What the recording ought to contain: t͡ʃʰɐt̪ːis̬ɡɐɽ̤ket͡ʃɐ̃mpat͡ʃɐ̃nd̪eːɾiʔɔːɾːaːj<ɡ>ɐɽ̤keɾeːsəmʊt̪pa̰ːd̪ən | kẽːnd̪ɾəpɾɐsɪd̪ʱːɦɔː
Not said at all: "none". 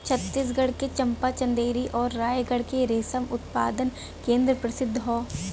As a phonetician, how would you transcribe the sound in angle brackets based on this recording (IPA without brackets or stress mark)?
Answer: ɡ